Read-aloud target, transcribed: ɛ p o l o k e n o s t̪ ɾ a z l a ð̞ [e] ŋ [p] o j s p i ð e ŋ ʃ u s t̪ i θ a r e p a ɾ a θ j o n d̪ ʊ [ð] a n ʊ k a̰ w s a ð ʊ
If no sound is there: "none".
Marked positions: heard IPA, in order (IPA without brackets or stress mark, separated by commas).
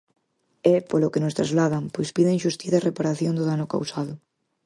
a, p, ð